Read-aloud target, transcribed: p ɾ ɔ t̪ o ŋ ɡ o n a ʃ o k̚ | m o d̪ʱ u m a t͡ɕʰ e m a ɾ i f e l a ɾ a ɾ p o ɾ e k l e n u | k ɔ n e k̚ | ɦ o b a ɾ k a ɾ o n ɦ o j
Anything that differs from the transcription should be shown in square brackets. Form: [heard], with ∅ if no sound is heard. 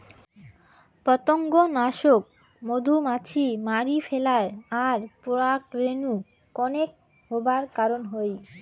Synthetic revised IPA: p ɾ ɔ t̪ o ŋ ɡ o n a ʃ o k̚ | m o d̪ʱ u m a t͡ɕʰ [i] m a ɾ i f e l a ɾ a ɾ p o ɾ [a] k [ɾ] e n u | k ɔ n e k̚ | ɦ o b a ɾ k a ɾ o n ɦ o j

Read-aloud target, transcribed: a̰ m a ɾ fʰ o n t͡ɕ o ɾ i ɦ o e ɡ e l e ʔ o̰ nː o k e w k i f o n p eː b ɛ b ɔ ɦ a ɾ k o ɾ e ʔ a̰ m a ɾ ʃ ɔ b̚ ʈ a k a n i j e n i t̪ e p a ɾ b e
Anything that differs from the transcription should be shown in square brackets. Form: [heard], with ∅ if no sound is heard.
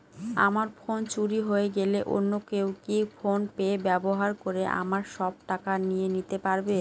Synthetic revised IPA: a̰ m a ɾ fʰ o n t͡ɕ [u] ɾ i ɦ o e ɡ e l e ʔ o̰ nː o k e w k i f o n p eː b ɛ b [o] ɦ a ɾ k o ɾ e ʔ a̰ m a ɾ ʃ ɔ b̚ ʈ a k a n i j e n i t̪ e p a ɾ b e

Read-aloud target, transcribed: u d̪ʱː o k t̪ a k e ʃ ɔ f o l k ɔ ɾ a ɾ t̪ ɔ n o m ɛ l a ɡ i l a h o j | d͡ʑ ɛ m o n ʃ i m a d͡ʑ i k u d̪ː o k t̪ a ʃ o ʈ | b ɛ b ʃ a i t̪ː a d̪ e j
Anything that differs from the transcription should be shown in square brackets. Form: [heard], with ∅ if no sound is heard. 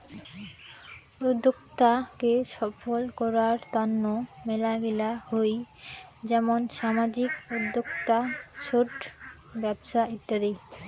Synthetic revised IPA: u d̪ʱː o k t̪ a k e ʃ ɔ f o l k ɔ ɾ a ɾ t̪ ɔ [nː] o m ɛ l a ɡ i l a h o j | d͡ʑ ɛ m o n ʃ [a] m a d͡ʑ i k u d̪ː o k t̪ a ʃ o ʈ | b ɛ b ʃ a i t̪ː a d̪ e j

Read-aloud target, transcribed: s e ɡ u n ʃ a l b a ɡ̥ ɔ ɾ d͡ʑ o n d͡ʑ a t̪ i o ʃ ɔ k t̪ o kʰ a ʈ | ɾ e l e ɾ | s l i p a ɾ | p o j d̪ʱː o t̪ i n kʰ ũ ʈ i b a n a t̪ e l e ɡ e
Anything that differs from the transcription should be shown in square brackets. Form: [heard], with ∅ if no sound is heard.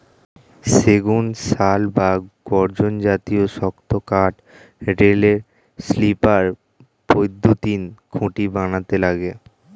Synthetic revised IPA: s e ɡ u n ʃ a l b a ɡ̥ ɔ ɾ d͡ʑ o n d͡ʑ a t̪ i o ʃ ɔ k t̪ o [k] a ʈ | ɾ e l e ɾ | s l i p a ɾ | p o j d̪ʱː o t̪ i n kʰ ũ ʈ i b a n a t̪ e l [a] ɡ e

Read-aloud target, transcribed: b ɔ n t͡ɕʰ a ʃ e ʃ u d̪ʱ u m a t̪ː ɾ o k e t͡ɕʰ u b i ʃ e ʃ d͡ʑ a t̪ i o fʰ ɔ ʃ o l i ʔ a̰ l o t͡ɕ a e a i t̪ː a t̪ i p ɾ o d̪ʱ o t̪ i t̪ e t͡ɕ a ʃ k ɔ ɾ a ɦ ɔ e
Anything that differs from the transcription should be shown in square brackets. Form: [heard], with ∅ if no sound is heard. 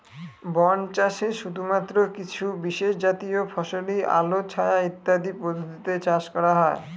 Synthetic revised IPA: b ɔ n [t͡ɕ] a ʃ e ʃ u d̪ʱ u m a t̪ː ɾ o k [i] t͡ɕʰ u b i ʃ e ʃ d͡ʑ a t̪ i o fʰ ɔ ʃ o l i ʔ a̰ l o [t͡ɕʰ] a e a i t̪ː a [d̪] i p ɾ o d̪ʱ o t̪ i t̪ e t͡ɕ a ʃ k ɔ ɾ a ɦ ɔ e

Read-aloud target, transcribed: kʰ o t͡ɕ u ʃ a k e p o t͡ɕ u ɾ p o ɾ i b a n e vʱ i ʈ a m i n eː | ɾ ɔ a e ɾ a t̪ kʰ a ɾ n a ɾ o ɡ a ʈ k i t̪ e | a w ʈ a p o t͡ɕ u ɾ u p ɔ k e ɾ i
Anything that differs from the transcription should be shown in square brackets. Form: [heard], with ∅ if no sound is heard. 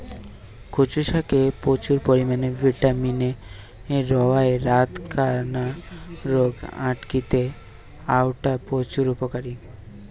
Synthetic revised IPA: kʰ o t͡ɕ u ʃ a k e p o t͡ɕ u ɾ p o ɾ i [m] a n e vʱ i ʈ a m i n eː | ɾ ɔ a e ɾ a t̪ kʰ a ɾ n a ɾ o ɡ a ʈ k i t̪ e | a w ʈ a p o t͡ɕ u ɾ u p [o] k [a] ɾ i

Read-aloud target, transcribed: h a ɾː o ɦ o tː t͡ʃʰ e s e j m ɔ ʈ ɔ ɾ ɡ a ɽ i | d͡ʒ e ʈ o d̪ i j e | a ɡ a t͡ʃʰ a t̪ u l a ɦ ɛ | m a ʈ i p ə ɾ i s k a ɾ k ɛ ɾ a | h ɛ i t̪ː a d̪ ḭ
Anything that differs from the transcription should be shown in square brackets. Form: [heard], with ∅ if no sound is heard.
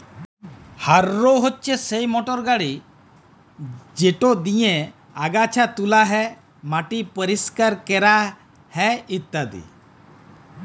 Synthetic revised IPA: h a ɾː o ɦ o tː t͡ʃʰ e s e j m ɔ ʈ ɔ ɾ ɡ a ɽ i | d͡ʒ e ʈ o d̪ i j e | a ɡ a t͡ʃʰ a t̪ u l a ɦ ɛ | m a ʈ i p ə ɾ i s k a ɾ k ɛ ɾ a | h ɛ i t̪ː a d̪ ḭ

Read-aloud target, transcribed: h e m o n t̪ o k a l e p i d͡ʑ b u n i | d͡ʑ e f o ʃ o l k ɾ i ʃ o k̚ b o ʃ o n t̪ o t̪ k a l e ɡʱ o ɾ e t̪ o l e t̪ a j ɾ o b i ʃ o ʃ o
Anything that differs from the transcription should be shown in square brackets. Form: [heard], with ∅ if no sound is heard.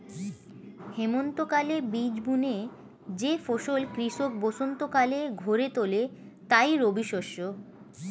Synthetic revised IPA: h e m o n t̪ o k a l e [b] i d͡ʑ b u n [e] | d͡ʑ e f o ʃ o l k ɾ i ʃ o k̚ b o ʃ o n t̪ o [∅] k a l e ɡʱ o ɾ e t̪ o l e t̪ a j ɾ o b i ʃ o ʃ o

